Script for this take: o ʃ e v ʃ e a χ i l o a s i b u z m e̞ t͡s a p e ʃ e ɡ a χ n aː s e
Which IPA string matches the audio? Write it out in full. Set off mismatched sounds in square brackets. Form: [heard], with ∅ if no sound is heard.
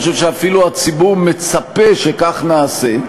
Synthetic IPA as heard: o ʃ e v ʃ e a [f] i l [u] a [t͡s] i b u [ʁ] m e̞ t͡s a p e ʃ e [k] a χ n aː s e